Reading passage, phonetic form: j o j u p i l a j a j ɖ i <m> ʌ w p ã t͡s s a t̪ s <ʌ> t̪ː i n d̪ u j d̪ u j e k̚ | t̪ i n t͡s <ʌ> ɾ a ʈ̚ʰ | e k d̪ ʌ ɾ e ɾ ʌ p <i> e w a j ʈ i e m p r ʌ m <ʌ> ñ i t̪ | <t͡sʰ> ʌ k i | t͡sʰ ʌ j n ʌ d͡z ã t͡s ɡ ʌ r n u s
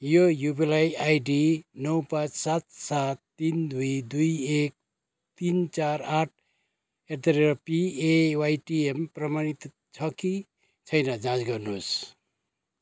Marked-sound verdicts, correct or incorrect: incorrect: n, incorrect: a, incorrect: a, correct, incorrect: a, correct

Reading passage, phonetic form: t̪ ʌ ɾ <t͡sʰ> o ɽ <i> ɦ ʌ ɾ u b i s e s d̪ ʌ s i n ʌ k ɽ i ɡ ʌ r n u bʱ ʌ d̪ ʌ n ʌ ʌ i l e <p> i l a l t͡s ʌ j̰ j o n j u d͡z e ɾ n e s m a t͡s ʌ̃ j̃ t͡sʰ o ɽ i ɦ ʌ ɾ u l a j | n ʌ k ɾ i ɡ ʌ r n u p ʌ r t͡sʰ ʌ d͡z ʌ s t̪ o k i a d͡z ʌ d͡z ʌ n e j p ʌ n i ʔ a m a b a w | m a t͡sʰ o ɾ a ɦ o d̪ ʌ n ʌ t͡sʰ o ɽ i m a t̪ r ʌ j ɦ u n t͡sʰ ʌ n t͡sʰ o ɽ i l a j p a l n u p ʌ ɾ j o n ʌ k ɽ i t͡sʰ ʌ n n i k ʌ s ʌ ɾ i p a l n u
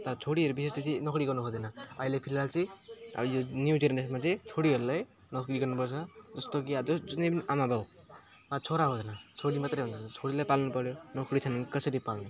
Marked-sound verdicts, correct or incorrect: correct, correct, incorrect: pʰ

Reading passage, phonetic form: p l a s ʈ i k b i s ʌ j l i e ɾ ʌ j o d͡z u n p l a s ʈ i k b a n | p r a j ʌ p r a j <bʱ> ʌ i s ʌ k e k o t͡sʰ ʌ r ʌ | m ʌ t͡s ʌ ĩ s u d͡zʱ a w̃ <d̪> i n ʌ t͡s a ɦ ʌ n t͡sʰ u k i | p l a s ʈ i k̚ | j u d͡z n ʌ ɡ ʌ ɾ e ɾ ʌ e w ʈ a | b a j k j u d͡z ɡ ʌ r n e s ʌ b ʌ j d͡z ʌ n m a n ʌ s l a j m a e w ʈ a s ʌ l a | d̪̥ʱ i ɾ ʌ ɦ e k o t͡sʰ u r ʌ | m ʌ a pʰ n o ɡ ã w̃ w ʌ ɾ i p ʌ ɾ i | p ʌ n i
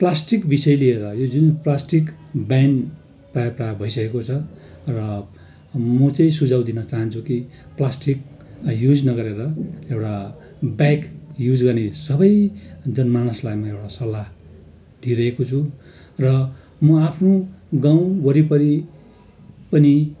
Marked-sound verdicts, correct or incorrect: correct, correct

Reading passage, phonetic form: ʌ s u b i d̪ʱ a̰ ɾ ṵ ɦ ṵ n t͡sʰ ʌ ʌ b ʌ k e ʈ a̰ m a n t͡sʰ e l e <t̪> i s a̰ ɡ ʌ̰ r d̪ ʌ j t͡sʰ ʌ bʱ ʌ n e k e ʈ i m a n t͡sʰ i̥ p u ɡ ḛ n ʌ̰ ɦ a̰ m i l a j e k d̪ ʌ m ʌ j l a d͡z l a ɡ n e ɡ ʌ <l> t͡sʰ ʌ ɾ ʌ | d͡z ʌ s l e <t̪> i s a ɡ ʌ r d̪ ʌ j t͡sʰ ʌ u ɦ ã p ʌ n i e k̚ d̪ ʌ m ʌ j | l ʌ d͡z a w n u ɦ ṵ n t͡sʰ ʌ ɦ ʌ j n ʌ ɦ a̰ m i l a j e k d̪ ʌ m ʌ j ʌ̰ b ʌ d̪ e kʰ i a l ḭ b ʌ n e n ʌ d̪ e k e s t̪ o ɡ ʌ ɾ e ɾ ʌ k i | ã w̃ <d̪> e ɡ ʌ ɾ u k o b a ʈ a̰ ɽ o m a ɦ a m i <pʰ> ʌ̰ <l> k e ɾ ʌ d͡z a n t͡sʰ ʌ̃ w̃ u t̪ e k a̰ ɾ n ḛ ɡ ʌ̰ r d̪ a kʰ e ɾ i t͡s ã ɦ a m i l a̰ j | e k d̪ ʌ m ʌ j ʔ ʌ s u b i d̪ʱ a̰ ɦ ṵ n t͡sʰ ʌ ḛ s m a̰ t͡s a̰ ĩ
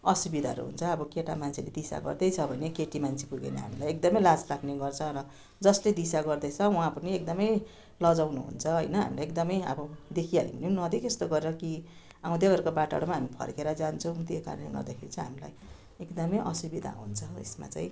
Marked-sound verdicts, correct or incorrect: incorrect: d̪, incorrect: r, incorrect: d̪, correct, correct, incorrect: r

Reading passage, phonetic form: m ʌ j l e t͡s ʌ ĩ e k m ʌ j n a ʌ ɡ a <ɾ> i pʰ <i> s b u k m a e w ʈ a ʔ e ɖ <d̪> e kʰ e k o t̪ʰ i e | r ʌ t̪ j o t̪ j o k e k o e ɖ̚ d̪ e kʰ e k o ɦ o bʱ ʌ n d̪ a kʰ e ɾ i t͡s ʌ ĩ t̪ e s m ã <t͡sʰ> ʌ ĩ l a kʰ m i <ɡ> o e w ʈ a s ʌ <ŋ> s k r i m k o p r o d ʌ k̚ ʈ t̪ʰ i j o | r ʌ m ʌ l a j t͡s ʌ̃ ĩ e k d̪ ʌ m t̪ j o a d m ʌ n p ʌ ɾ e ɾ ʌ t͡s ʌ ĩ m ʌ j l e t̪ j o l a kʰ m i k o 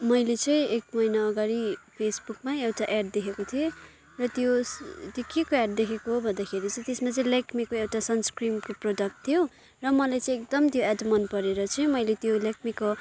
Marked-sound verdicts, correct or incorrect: correct, incorrect: e, correct, incorrect: t͡s, incorrect: k, incorrect: n

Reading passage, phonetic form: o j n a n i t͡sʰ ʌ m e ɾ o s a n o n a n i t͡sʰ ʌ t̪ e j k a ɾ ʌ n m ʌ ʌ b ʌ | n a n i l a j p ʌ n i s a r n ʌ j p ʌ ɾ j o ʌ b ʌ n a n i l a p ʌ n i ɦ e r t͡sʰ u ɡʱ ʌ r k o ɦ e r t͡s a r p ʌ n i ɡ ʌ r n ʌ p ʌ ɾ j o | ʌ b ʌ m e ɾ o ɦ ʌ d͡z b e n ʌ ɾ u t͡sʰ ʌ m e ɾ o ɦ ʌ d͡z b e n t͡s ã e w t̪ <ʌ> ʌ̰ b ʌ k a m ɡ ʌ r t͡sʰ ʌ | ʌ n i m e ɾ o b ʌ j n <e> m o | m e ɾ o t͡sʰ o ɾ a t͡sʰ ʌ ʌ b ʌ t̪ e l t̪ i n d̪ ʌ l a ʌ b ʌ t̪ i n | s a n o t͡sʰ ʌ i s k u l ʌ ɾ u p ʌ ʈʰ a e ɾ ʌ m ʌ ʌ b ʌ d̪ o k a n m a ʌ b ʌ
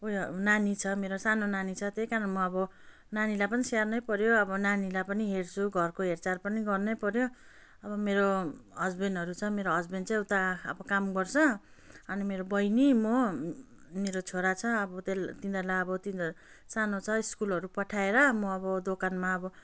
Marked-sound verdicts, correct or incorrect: incorrect: a, incorrect: i

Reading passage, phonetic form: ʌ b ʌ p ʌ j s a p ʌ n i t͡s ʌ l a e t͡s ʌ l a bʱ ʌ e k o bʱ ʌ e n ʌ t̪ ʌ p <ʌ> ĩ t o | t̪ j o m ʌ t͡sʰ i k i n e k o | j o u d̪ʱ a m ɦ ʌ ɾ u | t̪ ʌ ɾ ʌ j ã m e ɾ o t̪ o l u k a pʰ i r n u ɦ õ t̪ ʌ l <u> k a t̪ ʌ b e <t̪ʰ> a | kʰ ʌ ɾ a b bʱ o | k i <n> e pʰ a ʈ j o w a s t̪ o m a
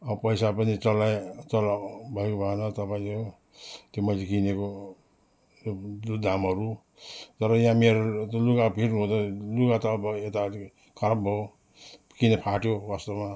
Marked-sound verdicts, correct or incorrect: incorrect: a, correct, incorrect: t̪, correct

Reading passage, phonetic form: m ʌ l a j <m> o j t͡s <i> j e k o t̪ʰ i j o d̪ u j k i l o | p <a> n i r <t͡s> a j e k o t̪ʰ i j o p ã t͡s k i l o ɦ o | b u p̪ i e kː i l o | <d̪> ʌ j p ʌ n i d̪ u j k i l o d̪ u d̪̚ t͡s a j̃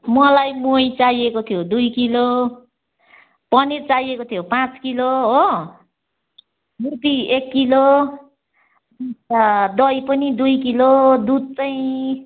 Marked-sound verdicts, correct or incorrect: correct, incorrect: a, incorrect: ʌ, correct, correct

